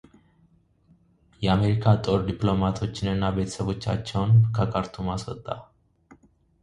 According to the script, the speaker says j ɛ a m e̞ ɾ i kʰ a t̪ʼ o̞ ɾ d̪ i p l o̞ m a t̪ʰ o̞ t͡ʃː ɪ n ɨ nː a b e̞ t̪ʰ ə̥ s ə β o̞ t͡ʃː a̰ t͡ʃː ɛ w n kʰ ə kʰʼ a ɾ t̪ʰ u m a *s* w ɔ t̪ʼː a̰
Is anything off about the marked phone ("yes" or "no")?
no